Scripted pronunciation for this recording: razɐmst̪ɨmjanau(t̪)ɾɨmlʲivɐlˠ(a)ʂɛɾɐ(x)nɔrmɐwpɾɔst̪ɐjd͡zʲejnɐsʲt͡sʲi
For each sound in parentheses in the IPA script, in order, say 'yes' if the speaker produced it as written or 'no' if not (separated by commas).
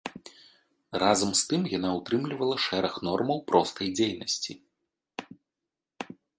yes, no, yes